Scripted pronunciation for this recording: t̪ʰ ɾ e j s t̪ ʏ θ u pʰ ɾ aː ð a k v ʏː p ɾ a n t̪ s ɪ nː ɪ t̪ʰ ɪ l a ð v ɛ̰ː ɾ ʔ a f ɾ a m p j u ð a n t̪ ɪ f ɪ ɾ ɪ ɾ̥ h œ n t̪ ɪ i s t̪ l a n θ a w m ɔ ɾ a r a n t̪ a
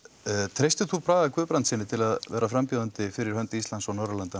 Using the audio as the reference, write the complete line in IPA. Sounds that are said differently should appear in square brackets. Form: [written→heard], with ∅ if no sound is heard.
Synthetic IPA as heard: t̪ʰ ɾ e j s t̪ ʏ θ u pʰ ɾ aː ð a k v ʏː p ɾ a n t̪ s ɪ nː ɪ t̪ʰ ɪ l a ð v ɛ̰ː ɾ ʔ a f ɾ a m p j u ð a n t̪ ɪ f ɪ ɾ ɪ ɾ̥ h œ n t̪ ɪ i s t̪ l a n [θ→s] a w [m→n] ɔ ɾ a [r→l] a n t̪ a